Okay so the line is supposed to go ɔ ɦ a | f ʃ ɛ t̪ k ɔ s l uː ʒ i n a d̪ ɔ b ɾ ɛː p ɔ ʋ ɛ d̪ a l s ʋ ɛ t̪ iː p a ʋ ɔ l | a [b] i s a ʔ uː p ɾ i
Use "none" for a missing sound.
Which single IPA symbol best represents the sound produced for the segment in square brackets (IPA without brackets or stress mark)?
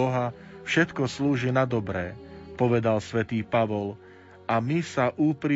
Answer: m